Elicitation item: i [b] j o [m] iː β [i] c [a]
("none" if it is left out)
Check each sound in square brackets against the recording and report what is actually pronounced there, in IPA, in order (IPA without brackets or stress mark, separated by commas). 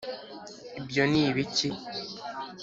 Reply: b, n, i, i